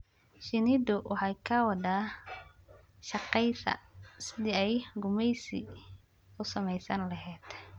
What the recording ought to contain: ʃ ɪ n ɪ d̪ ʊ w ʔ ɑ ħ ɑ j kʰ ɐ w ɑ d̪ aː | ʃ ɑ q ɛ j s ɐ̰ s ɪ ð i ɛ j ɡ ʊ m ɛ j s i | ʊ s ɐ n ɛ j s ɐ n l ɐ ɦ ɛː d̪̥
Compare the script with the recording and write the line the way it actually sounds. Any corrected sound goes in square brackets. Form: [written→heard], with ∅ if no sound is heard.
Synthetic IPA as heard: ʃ ɪ n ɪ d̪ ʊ w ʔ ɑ ħ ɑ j kʰ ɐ w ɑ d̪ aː | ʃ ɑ q ɛ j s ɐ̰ s ɪ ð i ɛ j ɡ ʊ m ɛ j s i | ʊ s ɐ [n→m] ɛ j s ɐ n l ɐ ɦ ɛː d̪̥